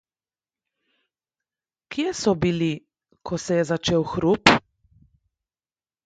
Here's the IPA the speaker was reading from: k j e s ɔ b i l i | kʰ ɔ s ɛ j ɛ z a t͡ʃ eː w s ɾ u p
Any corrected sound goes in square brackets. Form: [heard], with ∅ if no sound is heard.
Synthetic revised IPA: k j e s ɔ b i l i | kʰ ɔ s ɛ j ɛ z a t͡ʃ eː w [x] ɾ u p